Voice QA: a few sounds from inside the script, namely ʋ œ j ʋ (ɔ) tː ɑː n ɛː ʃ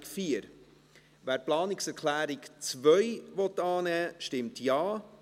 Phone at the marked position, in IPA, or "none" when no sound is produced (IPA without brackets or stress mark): ɔ